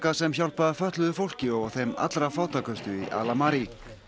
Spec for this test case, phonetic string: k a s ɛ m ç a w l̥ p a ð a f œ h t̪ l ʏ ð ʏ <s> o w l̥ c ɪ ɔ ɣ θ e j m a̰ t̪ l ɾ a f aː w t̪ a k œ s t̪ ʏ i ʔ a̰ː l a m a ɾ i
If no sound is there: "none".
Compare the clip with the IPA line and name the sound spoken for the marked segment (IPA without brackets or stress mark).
f